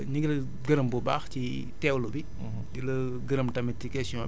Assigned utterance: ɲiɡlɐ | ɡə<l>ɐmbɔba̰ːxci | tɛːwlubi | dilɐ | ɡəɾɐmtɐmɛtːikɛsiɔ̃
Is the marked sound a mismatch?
yes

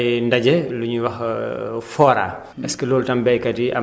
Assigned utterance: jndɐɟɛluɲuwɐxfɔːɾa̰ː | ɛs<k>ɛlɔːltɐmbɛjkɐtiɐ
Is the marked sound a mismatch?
no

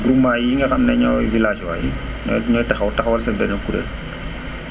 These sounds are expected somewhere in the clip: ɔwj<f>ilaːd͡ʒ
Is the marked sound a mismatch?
yes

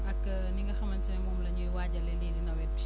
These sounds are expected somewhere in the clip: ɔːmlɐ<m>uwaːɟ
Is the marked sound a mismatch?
yes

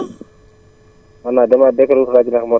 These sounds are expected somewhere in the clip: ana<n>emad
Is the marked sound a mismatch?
yes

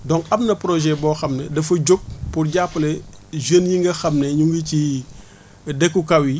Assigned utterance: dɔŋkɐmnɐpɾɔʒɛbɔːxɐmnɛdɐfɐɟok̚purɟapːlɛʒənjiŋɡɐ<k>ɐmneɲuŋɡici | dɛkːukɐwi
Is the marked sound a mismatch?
yes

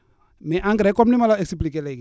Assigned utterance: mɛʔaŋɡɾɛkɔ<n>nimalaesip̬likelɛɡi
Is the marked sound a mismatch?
yes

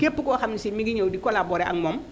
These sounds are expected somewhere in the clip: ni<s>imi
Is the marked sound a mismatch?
no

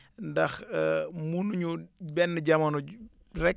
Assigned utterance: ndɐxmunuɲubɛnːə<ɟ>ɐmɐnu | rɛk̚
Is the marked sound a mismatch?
no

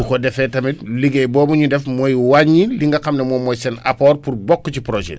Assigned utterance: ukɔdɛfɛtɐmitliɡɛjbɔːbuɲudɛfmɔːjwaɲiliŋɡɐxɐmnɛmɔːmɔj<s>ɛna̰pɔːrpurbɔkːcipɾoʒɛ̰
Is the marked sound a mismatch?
no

